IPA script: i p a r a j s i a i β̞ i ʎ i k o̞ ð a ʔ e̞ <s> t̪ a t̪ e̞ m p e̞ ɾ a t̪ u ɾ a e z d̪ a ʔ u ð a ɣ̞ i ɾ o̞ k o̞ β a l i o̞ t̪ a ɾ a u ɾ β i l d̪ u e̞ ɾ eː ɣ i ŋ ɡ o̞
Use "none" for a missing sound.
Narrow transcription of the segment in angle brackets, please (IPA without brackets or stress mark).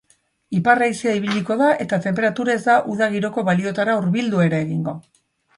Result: none